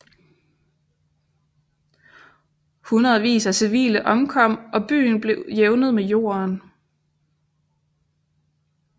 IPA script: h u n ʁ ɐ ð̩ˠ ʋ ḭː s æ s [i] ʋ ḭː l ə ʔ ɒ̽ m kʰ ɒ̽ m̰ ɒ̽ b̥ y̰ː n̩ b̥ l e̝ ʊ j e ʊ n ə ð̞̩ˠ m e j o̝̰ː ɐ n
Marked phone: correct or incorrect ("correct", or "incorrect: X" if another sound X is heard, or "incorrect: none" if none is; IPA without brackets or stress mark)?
correct